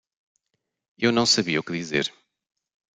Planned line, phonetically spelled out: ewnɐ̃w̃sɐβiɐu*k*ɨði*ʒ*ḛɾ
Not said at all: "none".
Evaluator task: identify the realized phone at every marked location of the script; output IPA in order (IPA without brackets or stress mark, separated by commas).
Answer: k, z